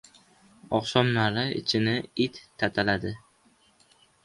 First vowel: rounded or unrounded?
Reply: rounded